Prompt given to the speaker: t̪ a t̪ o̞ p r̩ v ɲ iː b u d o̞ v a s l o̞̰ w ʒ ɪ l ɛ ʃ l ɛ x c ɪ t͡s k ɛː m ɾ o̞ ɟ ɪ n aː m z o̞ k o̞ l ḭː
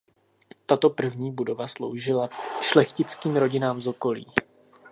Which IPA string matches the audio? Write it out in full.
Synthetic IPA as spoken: t̪ a t̪ o̞ p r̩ v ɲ iː b u d o̞ v a s l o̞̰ w ʒ ɪ l a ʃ l ɛ x c ɪ t͡s k iː m ɾ o̞ ɟ ɪ n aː m z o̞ k o̞ l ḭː